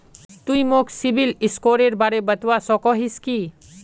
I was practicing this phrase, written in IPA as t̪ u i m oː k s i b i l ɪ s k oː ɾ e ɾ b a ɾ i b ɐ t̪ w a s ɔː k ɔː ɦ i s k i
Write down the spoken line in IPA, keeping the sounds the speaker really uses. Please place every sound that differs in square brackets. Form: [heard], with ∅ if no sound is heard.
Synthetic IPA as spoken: t̪ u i m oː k s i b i l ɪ s k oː ɾ e ɾ b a ɾ [e] b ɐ t̪ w a s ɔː k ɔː ɦ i s k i